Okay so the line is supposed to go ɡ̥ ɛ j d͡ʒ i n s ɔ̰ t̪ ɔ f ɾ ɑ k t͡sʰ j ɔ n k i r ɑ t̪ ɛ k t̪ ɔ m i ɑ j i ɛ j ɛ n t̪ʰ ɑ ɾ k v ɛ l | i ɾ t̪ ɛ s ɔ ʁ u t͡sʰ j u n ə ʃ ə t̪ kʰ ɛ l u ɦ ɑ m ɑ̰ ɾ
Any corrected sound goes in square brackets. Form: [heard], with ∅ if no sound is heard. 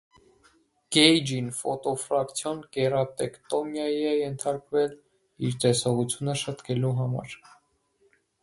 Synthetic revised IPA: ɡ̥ ɛ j d͡ʒ i n [f] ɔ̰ t̪ ɔ f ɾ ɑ k t͡sʰ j ɔ n k [ɛ] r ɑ t̪ ɛ k t̪ ɔ m [j] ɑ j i ɛ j ɛ n t̪ʰ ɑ ɾ k v ɛ l | i ɾ t̪ ɛ s ɔ ʁ u t͡sʰ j u n ə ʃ ə t̪ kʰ ɛ l u ɦ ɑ m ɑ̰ ɾ

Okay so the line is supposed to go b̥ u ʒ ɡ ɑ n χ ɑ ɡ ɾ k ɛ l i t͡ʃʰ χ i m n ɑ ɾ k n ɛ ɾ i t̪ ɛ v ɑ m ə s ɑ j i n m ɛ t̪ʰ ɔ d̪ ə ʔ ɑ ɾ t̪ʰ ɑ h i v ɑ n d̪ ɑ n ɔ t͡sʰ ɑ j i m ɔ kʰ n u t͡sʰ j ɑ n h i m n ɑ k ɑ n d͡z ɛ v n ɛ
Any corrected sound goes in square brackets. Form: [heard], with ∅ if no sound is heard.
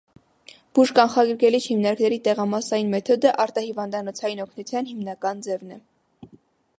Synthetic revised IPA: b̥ u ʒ [k] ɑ n χ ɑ ɡ ɾ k ɛ l i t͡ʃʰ [h] i m n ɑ ɾ k n ɛ ɾ i t̪ ɛ [ʁ] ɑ m [ɑ] s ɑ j i n m ɛ t̪ʰ ɔ d̪ ə ʔ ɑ ɾ [t̪] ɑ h i v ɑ n d̪ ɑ n ɔ t͡sʰ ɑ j i [n] ɔ kʰ n u t͡sʰ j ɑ n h i m n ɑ k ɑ n d͡z ɛ v n ɛ

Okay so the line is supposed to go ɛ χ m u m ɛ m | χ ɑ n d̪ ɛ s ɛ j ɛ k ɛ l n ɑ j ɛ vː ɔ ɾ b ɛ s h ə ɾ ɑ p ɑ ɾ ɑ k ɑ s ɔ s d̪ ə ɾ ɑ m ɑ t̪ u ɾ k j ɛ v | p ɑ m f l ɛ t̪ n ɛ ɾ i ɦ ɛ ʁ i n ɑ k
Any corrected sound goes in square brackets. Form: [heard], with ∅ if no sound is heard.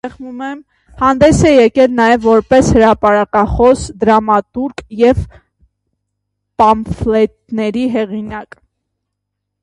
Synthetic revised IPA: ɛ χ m u m ɛ m | [h] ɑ n d̪ ɛ s ɛ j ɛ k ɛ l n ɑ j ɛ vː ɔ ɾ [p] ɛ s h ə ɾ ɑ p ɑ ɾ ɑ k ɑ [χ] ɔ s d̪ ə ɾ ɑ m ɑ t̪ u ɾ k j ɛ v | p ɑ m f l ɛ t̪ n ɛ ɾ i ɦ ɛ ʁ i n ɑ k

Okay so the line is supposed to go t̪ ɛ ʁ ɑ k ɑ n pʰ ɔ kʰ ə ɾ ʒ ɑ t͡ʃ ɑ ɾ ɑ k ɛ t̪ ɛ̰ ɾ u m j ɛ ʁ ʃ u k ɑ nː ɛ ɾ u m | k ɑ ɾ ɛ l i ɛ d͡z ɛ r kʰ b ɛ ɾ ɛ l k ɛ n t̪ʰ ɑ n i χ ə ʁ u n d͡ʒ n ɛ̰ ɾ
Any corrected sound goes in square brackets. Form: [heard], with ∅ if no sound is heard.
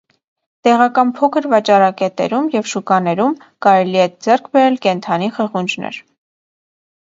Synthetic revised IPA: t̪ ɛ ʁ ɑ k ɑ n pʰ ɔ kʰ ə ɾ [v] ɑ t͡ʃ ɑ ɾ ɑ k ɛ t̪ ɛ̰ ɾ u m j ɛ [v] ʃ u k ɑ [n] ɛ ɾ u m | k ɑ ɾ ɛ l i ɛ d͡z ɛ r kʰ b ɛ ɾ ɛ l k ɛ n t̪ʰ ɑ n i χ ə ʁ u n d͡ʒ n ɛ̰ ɾ

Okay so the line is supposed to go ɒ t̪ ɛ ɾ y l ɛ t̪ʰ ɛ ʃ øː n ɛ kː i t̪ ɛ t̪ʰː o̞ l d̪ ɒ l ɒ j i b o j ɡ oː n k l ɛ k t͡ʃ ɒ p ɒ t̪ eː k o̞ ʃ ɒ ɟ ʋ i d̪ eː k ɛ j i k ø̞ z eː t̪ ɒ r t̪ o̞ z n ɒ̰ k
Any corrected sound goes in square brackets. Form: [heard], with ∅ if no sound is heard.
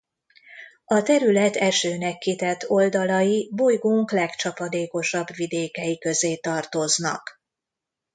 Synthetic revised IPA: ɒ t̪ ɛ ɾ y l ɛ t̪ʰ ɛ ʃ øː n ɛ kː i t̪ ɛ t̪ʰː o̞ l d̪ ɒ l ɒ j i b o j ɡ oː [ŋ] k l ɛ k t͡ʃ ɒ p ɒ [d̪] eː k o̞ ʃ ɒ [b] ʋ i d̪ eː k ɛ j i k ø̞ z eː t̪ ɒ r t̪ o̞ z n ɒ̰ k

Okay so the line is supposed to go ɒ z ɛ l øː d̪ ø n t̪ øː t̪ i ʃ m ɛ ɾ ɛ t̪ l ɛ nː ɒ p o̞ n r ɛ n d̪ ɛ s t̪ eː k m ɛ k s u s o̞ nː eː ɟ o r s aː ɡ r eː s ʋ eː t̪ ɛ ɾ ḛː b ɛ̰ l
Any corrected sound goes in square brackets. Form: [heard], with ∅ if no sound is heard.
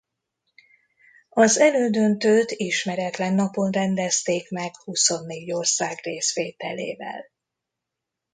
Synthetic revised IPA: ɒ z ɛ l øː d̪ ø n t̪ øː t̪ i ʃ m ɛ ɾ ɛ t̪ l ɛ nː ɒ p o̞ n r ɛ n d̪ ɛ s t̪ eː k m ɛ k [h] u s o̞ nː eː ɟ o r s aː ɡ r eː s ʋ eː t̪ ɛ [l] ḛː [v] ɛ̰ l

